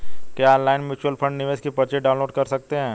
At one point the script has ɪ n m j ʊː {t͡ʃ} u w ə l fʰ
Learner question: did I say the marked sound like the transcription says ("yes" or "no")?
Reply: yes